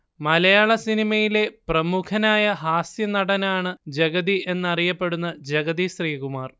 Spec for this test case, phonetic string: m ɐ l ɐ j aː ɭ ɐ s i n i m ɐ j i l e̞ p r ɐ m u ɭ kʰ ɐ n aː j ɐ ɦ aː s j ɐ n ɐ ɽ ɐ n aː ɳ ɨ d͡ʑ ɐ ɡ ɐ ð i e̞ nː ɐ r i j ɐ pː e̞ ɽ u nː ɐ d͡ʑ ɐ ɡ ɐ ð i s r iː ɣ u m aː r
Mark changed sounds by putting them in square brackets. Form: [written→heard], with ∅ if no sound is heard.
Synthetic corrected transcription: m ɐ l ɐ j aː ɭ ɐ s i n i m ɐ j i l e̞ p r ɐ m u [ɭ→∅] kʰ ɐ n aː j ɐ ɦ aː s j ɐ n ɐ ɽ ɐ n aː ɳ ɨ d͡ʑ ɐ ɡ ɐ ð i e̞ nː ɐ r i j ɐ pː e̞ ɽ u nː ɐ d͡ʑ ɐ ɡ ɐ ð i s r iː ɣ u m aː r